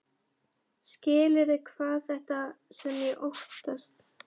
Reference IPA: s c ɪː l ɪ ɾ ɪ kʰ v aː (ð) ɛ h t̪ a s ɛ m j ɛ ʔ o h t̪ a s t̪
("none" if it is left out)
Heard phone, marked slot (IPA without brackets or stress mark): θ